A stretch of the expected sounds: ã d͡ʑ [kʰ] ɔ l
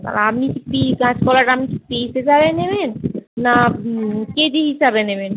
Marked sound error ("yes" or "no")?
yes